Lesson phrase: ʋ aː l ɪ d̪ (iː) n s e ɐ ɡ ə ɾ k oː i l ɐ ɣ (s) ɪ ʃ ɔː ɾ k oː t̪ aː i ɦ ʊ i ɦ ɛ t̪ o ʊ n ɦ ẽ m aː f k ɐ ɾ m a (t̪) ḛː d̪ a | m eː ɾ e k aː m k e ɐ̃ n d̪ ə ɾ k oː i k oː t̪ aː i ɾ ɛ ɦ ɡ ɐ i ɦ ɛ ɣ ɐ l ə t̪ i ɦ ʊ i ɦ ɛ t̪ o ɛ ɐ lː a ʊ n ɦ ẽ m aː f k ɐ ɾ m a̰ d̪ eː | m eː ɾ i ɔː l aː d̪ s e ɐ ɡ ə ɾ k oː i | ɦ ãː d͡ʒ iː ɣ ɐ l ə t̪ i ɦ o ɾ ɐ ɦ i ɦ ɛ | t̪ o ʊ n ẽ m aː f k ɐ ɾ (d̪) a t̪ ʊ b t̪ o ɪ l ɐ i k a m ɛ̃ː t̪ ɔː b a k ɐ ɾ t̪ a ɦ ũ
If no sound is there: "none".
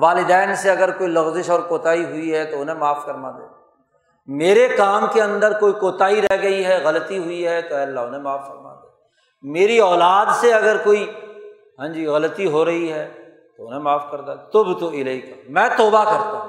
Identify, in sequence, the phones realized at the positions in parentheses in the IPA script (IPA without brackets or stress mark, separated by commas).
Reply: ɛː, z, d̪, d̪